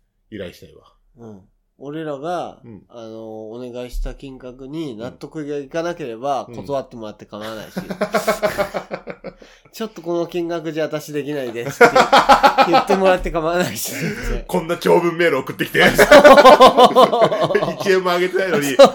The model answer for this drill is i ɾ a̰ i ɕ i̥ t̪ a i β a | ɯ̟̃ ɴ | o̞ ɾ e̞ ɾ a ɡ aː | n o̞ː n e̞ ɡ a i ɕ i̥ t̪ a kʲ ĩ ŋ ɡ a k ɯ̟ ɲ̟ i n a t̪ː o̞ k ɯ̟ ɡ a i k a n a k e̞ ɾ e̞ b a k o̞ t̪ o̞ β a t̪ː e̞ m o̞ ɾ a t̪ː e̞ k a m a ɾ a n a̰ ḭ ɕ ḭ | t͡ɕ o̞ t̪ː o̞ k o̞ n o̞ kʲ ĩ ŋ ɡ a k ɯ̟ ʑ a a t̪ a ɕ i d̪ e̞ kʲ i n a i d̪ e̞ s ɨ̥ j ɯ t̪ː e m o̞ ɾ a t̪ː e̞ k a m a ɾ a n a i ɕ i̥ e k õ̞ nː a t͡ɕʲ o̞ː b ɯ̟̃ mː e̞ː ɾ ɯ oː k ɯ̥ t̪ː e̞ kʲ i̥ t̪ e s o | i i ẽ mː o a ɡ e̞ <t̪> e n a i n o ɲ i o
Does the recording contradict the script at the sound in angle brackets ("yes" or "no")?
no